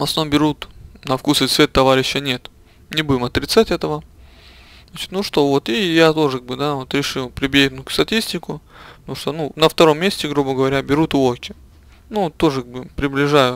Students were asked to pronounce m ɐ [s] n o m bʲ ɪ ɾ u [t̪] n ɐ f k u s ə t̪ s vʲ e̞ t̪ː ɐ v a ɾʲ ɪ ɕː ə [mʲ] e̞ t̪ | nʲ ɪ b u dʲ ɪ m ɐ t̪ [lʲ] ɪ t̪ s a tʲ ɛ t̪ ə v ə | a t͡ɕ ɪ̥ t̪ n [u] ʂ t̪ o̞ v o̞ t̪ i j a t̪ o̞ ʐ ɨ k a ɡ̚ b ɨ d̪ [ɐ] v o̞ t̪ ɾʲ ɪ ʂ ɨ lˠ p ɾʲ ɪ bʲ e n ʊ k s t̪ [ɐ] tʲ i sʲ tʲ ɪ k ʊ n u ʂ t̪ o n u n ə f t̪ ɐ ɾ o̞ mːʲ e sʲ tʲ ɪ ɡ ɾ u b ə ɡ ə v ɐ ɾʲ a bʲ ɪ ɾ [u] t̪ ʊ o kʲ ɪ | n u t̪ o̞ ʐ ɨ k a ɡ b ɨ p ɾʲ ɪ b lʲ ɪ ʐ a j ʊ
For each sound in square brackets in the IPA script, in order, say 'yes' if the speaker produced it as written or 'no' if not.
yes, yes, no, no, yes, no, yes, yes

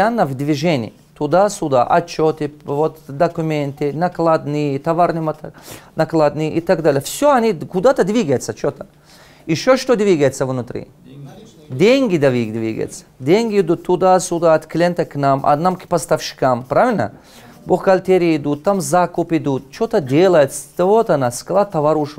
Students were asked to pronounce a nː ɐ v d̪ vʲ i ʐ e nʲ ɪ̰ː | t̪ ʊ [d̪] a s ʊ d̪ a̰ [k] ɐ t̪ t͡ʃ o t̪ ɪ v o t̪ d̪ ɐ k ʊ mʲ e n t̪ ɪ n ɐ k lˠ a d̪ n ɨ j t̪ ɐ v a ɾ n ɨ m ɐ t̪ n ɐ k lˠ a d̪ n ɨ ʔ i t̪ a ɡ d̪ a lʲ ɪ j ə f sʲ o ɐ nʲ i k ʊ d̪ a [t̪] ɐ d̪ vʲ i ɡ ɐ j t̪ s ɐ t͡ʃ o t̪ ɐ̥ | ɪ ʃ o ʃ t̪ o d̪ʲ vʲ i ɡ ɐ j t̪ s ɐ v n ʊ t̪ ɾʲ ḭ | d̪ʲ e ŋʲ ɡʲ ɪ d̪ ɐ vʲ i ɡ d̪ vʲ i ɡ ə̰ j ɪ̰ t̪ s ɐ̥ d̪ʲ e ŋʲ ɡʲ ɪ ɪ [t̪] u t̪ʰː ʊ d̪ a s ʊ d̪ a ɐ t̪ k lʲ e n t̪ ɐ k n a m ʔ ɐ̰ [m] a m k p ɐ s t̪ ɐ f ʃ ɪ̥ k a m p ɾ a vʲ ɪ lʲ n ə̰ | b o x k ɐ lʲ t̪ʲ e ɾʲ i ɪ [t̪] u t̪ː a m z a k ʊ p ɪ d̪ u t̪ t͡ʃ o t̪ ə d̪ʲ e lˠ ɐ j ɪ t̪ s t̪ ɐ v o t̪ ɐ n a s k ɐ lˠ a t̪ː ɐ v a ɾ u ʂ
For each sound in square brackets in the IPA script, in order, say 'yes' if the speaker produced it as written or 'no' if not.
yes, no, yes, no, no, no

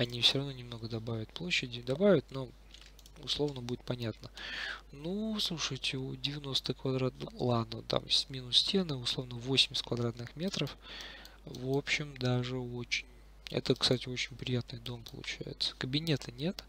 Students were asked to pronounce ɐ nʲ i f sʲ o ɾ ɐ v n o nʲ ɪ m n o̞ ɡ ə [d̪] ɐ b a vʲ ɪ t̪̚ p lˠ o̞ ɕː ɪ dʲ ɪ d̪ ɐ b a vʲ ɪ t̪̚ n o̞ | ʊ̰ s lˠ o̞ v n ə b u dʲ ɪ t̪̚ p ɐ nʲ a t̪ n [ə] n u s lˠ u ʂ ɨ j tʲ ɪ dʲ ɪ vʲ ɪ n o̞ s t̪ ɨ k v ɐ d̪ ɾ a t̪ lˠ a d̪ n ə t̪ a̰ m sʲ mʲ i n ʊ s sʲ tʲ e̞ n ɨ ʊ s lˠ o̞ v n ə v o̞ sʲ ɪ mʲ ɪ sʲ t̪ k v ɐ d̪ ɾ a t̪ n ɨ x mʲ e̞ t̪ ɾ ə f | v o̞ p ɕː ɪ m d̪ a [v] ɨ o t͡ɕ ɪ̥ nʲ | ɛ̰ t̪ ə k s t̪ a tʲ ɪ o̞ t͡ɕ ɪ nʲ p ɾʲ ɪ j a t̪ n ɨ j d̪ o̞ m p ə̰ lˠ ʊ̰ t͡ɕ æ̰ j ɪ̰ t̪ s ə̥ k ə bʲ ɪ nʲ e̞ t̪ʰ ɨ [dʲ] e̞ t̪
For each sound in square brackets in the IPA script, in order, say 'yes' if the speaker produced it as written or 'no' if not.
yes, yes, no, no

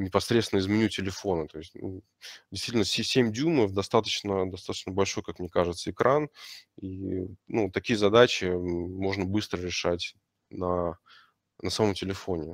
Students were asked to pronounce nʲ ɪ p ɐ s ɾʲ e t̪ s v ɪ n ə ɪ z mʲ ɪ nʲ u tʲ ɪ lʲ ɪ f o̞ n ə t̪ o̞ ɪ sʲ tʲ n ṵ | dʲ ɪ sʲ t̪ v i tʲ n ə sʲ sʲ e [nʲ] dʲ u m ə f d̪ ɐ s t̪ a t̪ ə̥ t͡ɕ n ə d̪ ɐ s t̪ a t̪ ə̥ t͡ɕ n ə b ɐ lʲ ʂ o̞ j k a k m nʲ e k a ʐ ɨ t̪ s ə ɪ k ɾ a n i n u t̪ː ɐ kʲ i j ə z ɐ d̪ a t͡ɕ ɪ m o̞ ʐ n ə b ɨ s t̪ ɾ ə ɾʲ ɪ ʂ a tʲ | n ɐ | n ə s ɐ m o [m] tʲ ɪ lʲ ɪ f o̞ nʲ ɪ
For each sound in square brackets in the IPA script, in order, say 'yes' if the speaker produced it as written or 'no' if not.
no, yes

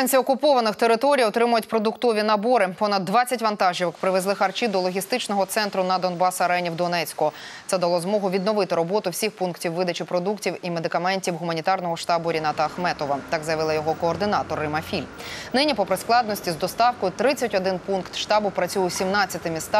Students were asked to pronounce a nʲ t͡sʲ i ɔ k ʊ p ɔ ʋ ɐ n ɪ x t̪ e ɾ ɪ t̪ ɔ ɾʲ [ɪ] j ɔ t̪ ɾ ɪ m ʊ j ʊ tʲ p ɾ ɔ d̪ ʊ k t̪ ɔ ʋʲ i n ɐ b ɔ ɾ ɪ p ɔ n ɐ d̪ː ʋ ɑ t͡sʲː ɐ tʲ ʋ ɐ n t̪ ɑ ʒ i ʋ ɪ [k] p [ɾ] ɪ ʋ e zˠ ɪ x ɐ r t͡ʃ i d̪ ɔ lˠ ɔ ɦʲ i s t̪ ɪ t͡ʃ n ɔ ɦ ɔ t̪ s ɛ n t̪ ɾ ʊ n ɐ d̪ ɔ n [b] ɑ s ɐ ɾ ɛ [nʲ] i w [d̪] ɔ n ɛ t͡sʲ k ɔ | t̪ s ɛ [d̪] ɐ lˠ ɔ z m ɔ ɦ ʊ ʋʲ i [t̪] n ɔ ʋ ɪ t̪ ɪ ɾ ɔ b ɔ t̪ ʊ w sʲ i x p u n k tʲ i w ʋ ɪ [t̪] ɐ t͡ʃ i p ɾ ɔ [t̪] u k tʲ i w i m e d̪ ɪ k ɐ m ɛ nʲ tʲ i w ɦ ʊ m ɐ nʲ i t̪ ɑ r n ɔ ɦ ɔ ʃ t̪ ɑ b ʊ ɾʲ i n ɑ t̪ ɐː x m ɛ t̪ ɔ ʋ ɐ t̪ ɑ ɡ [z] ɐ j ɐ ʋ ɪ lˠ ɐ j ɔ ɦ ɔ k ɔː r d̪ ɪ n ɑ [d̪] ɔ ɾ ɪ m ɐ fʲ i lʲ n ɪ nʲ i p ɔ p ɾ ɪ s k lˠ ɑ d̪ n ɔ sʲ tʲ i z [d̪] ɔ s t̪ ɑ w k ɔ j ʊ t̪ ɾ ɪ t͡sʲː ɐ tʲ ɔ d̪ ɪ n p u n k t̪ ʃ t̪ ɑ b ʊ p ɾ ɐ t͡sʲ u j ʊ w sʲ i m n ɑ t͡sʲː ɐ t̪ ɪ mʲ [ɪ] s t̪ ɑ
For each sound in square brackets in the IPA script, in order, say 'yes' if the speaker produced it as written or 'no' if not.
no, yes, yes, yes, yes, yes, yes, no, no, no, yes, no, yes, no

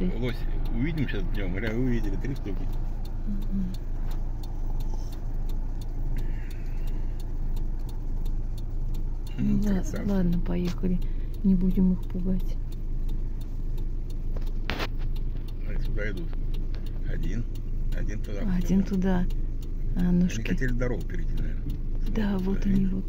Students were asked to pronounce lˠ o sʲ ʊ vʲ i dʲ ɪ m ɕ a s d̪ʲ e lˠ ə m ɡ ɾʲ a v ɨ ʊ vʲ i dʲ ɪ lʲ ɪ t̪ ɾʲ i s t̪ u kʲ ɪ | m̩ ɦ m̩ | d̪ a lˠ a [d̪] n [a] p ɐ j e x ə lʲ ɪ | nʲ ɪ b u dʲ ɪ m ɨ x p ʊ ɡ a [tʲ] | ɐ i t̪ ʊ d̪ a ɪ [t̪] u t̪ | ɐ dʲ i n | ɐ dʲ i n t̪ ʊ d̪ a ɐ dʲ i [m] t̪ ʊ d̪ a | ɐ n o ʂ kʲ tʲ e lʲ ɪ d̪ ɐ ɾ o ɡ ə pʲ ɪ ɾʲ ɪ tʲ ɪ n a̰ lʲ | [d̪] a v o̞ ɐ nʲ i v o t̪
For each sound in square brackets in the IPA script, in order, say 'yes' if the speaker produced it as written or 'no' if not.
yes, no, yes, no, no, yes

